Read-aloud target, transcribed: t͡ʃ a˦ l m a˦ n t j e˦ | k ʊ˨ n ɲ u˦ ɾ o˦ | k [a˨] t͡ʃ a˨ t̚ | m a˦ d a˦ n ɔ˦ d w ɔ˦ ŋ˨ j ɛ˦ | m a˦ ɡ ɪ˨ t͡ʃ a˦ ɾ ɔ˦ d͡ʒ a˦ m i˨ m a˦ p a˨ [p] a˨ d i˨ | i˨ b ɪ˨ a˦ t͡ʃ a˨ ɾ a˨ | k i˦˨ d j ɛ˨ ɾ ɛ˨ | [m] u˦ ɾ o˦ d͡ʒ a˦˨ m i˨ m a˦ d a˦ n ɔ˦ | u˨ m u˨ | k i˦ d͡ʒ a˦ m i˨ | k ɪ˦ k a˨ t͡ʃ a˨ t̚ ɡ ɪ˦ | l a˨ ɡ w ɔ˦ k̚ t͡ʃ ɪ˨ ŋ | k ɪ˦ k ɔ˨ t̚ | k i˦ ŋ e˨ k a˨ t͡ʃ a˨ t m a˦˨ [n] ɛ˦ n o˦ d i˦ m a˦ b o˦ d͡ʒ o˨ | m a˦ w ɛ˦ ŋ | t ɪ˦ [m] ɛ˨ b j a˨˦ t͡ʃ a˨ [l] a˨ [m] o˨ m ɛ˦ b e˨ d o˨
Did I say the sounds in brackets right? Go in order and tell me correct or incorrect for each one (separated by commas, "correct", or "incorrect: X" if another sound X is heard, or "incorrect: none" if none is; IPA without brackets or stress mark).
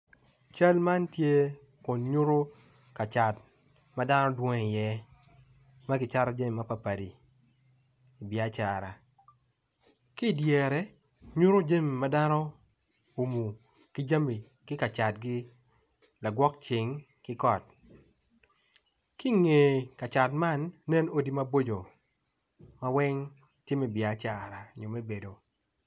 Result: correct, correct, incorrect: ɲ, incorrect: nː, correct, incorrect: ɾ, incorrect: ɲ